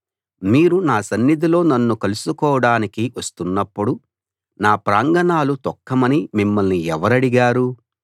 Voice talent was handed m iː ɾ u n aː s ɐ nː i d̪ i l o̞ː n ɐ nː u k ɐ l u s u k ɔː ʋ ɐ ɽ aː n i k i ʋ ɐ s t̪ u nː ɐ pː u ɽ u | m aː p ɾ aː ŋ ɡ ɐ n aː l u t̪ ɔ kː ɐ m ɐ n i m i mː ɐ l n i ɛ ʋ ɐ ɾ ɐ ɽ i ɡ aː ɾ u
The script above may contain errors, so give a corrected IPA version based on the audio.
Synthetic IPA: m iː ɾ u n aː s ɐ nː i d̪ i l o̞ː n ɐ nː u k ɐ l u s u k ɔː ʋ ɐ ɽ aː n i k i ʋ ɐ s t̪ u nː ɐ pː u ɽ u | n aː p ɾ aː ŋ ɡ ɐ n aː l u t̪ ɔ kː ɐ m ɐ n i m i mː ɐ l n i ɛ ʋ ɐ ɾ ɐ ɽ i ɡ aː ɾ u

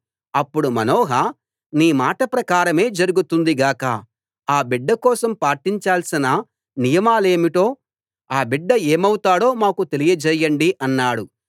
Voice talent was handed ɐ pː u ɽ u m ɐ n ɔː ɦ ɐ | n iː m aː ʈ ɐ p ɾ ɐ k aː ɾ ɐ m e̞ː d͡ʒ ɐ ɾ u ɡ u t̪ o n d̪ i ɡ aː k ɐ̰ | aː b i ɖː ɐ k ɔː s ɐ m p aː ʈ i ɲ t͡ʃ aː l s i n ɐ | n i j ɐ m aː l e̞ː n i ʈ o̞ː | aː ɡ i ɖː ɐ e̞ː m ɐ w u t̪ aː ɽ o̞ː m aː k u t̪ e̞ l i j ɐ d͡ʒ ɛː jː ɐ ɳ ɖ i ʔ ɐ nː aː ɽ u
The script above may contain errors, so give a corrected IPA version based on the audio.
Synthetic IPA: ɐ pː u ɽ u m ɐ n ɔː ɦ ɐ | n iː m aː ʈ ɐ p ɾ ɐ k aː ɾ ɐ m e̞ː d͡ʒ ɐ ɾ u ɡ u t̪ u n d̪ i ɡ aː k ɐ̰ | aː b i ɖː ɐ k ɔː s ɐ m p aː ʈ i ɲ t͡ʃ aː l s i n ɐ | n i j ɐ m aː l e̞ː m i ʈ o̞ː | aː b i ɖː ɐ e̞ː m ɐ w u t̪ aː ɽ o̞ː m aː k u t̪ e̞ l i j ɐ d͡ʒ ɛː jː ɐ ɳ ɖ i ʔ ɐ nː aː ɽ u

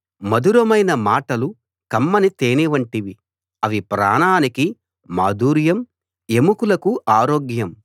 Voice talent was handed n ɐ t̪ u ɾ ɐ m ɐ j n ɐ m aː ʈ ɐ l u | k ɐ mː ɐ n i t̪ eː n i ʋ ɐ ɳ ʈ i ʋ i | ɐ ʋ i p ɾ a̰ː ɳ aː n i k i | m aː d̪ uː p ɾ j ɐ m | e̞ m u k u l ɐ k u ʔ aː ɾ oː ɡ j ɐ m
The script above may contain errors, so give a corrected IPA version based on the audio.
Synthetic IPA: m ɐ d̪ u ɾ ɐ m ɐ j n ɐ m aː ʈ ɐ l u | k ɐ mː ɐ n i t̪ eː n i ʋ ɐ ɳ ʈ i ʋ i | ɐ ʋ i p ɾ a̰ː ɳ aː n i k i | m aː d̪ uː ɾ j ɐ m | e̞ m u k u l ɐ k u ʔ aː ɾ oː ɡ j ɐ m

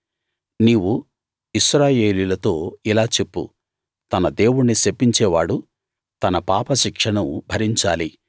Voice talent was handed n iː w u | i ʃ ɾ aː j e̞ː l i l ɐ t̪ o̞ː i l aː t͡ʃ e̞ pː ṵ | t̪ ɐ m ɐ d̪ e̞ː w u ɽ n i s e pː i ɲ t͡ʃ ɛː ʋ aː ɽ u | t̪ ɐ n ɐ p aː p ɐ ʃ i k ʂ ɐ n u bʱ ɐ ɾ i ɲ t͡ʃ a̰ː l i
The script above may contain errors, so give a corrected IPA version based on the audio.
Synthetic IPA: n iː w u | i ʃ ɾ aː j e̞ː l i l ɐ t̪ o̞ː i l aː t͡ʃ e̞ pː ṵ | t̪ ɐ n ɐ d̪ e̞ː w u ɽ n i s e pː i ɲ t͡ʃ ɛː ʋ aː ɽ u | t̪ ɐ n ɐ p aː p ɐ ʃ i k ʂ ɐ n u bʱ ɐ ɾ i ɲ t͡ʃ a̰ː l i

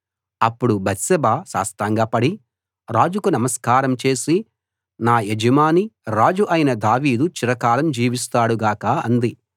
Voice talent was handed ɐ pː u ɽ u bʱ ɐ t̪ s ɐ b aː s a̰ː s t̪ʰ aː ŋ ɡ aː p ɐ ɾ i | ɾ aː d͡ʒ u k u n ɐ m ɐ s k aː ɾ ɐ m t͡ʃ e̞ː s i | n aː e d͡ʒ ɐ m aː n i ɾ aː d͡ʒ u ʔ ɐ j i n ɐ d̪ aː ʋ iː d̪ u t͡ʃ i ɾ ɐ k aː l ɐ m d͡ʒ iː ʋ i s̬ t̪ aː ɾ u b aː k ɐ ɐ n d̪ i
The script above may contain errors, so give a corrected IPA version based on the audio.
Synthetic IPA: ɐ pː u ɽ u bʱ ɐ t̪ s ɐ b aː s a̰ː s t̪ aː ŋ ɡ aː p ɐ ɽ i | ɾ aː d͡ʒ u k u n ɐ m ɐ s k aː ɾ ɐ m t͡ʃ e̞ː s i | n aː e d͡ʒ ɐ m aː n i ɾ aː d͡ʒ u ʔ ɐ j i n ɐ d̪ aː ʋ iː d̪ u t͡ʃ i ɾ ɐ k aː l ɐ m d͡ʒ iː ʋ i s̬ t̪ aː ɽ u ɡ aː k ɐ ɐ n d̪ i

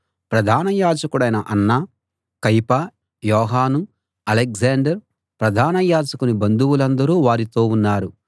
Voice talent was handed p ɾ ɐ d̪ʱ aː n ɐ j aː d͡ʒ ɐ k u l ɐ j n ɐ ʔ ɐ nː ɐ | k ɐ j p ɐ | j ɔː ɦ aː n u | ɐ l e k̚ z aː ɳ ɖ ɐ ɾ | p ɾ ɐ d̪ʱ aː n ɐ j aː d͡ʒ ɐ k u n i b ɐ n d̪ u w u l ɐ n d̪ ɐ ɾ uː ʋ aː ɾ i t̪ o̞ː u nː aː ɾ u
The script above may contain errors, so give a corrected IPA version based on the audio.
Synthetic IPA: p ɾ ɐ d̪ʱ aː n ɐ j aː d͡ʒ ɐ k u ɽ ɐ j n ɐ ʔ ɐ nː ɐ | k ɐ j p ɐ | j ɔː ɦ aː n u | ɐ l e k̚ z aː ɳ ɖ ɐ ɾ | p ɾ ɐ d̪ʱ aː n ɐ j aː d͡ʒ ɐ k u n i b ɐ n d̪ u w u l ɐ n d̪ ɐ ɾ uː ʋ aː ɾ i t̪ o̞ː u nː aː ɾ u

